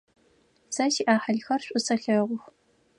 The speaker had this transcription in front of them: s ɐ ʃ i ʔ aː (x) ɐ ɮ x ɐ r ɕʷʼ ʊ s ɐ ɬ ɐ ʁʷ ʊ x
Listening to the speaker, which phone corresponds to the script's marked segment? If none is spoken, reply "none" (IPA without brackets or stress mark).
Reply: ħ